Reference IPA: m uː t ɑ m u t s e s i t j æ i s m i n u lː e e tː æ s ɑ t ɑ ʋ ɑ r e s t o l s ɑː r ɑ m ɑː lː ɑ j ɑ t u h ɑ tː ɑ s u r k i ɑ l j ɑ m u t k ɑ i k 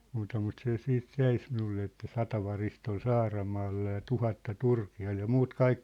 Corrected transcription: m uː t ɑ m u t s e s iː t j æ i s m i n u lː e e tː æ s ɑ t ɑ ʋ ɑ r i s t o l s ɑː r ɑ m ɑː lː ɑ j ɑ t u h ɑ tː ɑ t u r k i ɑ l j ɑ m uː t k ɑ i k